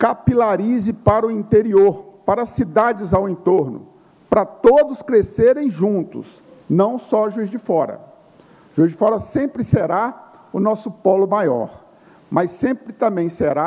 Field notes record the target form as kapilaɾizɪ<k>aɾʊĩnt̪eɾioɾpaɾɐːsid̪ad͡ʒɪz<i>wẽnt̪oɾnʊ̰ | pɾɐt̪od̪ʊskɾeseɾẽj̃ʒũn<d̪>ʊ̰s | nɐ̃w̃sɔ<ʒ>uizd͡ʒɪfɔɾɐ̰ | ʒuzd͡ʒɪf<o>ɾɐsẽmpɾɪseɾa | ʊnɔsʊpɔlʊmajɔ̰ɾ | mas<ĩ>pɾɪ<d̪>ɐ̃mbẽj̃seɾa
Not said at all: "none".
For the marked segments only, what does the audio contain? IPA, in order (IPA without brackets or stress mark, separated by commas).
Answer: p, a, t̪, ʒ, ɔ, ẽ, t̪